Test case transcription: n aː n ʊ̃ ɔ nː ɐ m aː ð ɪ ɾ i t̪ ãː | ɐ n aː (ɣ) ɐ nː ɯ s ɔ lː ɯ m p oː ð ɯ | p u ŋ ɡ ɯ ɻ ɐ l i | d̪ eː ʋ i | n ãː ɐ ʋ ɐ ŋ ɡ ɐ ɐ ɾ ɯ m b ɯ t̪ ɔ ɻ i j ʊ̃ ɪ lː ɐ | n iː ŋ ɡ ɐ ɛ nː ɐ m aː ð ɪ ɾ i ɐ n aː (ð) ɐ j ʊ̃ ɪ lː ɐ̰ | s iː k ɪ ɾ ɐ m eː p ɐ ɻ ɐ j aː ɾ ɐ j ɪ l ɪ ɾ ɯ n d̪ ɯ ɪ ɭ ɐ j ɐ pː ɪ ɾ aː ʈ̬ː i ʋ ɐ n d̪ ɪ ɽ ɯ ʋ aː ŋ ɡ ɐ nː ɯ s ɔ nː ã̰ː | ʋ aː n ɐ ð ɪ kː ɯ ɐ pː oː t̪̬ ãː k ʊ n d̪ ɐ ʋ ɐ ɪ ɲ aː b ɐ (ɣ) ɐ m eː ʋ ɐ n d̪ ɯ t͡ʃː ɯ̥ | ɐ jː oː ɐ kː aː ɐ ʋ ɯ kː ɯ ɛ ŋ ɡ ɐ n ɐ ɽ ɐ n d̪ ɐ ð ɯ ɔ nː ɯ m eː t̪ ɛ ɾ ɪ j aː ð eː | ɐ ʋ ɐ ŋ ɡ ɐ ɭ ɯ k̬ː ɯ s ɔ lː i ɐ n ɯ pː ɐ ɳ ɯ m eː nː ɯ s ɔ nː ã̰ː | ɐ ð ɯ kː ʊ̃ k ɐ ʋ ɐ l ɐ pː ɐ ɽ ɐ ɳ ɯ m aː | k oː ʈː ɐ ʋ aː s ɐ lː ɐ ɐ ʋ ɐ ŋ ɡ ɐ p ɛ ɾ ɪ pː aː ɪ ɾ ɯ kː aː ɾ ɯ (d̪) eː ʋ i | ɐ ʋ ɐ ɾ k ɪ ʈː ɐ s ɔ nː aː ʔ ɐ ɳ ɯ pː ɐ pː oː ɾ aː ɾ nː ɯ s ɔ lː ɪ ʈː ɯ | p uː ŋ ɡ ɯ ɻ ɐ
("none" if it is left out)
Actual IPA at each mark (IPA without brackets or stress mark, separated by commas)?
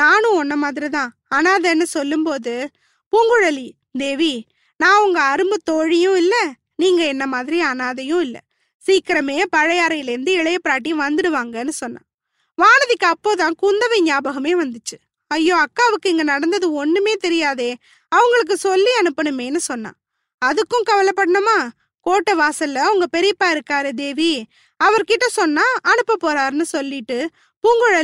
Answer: ð, ð, ɣ, d̪